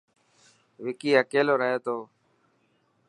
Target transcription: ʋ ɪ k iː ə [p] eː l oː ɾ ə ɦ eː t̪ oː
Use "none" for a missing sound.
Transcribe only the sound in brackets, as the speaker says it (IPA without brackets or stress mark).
k